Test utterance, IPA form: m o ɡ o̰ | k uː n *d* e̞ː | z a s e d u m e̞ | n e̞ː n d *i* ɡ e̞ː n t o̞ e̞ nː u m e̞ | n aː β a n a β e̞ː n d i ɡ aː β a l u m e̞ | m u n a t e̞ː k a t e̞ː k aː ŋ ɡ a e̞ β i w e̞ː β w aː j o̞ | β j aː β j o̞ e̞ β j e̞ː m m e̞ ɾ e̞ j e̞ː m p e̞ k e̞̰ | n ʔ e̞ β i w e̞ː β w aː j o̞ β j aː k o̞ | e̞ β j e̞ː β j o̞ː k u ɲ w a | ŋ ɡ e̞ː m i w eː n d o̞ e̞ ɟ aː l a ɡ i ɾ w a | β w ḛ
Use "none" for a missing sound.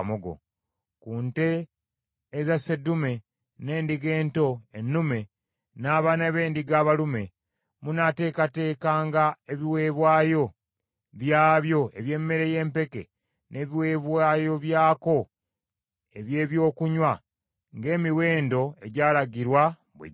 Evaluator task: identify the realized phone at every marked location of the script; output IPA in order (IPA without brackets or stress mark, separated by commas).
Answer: t, i